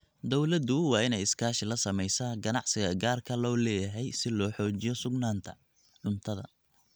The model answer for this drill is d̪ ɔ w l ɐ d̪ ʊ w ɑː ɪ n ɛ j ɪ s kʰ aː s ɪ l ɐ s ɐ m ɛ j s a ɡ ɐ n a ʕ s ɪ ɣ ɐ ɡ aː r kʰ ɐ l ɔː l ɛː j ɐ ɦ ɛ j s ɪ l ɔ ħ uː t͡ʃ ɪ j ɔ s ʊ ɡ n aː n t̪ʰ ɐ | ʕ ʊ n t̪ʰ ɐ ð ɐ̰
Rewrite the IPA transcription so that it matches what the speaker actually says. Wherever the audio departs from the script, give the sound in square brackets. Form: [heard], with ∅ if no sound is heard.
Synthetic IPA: d̪ ɔ w l ɐ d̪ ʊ w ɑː ɪ n ɛ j ɪ s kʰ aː [ʃ] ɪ l ɐ s ɐ m ɛ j s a ɡ ɐ n [ɑ] ʕ s ɪ ɣ ɐ ɡ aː r kʰ ɐ l ɔː l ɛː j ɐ ɦ ɛ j s ɪ l [ɔː] ħ [ɔː] t͡ʃ ɪ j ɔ s ʊ ɡ n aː n t̪ʰ ɐ | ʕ ʊ n t̪ʰ ɐ ð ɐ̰